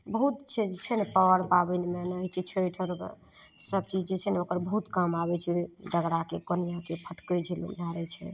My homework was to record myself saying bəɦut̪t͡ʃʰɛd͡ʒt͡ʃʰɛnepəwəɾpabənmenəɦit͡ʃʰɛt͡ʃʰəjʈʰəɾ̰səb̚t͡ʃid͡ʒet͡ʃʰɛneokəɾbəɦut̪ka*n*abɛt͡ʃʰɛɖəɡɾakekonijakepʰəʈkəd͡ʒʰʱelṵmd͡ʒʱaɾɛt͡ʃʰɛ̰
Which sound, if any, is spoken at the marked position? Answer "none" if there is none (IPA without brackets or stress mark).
m